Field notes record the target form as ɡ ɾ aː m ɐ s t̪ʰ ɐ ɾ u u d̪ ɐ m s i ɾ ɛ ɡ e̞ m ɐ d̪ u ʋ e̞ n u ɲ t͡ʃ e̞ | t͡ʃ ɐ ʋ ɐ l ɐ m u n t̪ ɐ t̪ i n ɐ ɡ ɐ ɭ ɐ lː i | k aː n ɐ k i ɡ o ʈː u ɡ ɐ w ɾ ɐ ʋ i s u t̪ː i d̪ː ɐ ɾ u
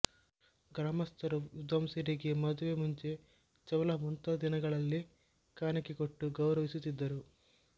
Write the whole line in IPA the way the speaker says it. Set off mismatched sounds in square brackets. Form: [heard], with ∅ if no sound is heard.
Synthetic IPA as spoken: ɡ ɾ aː m ɐ s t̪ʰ ɐ ɾ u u d̪ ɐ m s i ɾ [i] ɡ e̞ m ɐ d̪ u ʋ e̞ [m] u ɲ t͡ʃ e̞ | t͡ʃ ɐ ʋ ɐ l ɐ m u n t̪ ɐ [d̪] i n ɐ ɡ ɐ ɭ ɐ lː i | k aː n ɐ k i [k] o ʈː u ɡ ɐ w ɾ ɐ ʋ i s u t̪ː i d̪ː ɐ ɾ u